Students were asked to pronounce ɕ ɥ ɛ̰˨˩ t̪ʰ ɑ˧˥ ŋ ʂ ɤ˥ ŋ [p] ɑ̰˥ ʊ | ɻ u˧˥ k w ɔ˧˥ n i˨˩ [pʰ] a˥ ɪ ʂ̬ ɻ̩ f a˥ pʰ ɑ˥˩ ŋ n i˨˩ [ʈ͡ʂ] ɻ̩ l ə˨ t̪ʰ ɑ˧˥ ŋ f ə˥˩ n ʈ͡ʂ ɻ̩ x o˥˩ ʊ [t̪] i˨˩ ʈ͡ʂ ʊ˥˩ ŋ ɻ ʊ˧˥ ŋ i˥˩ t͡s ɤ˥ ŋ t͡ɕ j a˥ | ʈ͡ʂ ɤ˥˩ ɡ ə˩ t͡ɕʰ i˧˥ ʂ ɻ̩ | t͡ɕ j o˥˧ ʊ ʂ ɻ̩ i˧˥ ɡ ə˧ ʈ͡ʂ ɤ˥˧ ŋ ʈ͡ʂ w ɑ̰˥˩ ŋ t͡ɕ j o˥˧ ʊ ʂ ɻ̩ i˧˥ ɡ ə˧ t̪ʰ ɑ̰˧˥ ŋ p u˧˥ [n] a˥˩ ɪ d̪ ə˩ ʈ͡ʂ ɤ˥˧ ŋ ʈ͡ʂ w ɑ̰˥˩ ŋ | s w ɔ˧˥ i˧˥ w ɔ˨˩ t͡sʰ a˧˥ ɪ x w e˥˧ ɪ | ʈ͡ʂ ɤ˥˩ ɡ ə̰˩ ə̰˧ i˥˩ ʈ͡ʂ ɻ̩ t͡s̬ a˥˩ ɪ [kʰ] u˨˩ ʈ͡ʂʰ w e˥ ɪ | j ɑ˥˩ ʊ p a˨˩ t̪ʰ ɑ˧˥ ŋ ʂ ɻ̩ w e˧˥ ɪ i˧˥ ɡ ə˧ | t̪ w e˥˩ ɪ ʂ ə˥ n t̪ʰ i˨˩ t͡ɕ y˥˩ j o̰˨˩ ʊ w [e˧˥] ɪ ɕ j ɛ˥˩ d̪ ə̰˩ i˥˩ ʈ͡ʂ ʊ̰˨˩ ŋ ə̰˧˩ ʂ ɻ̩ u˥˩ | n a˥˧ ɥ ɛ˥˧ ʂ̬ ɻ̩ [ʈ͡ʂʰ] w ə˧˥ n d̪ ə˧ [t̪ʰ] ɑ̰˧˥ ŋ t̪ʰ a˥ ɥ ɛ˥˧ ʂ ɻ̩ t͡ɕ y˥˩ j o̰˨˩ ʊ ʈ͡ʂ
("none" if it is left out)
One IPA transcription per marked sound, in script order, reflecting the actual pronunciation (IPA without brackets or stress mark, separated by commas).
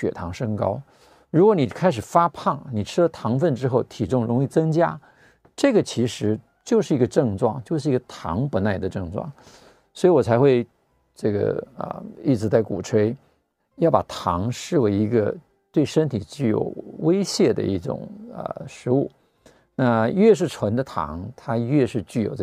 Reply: k, kʰ, ʈ͡ʂʰ, t̪ʰ, n, k, e˥, ʈ͡ʂʰ, t̪ʰ